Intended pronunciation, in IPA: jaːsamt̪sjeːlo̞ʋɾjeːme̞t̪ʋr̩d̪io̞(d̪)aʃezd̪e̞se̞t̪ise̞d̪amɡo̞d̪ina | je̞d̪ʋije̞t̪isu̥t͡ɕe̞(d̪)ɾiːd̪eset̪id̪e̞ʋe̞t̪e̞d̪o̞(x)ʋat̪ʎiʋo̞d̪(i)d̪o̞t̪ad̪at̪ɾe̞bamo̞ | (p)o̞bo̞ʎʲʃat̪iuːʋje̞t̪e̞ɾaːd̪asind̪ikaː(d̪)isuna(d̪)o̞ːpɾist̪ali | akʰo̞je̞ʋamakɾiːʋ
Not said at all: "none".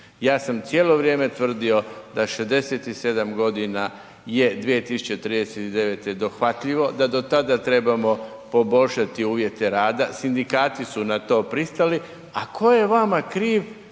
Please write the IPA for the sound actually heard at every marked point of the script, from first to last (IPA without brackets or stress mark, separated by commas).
d̪, t̪, x, a, p, t̪, t̪